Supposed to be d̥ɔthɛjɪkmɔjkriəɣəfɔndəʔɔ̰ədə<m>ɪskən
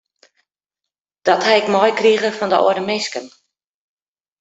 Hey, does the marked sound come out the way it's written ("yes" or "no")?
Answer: yes